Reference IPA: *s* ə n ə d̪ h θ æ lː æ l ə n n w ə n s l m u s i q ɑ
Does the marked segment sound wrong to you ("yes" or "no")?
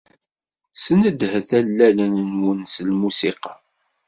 no